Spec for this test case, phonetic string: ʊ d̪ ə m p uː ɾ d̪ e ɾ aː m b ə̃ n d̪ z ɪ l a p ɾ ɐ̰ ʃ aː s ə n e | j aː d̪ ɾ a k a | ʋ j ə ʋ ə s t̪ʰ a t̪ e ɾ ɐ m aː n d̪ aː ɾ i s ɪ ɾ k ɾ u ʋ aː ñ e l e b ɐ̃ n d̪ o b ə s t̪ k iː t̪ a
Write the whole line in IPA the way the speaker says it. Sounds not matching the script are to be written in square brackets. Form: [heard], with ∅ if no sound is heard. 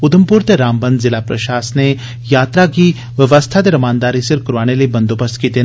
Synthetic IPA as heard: ʊ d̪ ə m p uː ɾ [t̪] e ɾ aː m b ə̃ n d̪ z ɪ l a p ɾ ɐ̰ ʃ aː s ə n e | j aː [t̪] ɾ a k [i] | ʋ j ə ʋ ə s t̪ʰ a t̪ e ɾ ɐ m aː n d̪ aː ɾ i s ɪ ɾ k ɾ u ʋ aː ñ e l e b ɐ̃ n d̪ o b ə s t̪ k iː t̪ [e]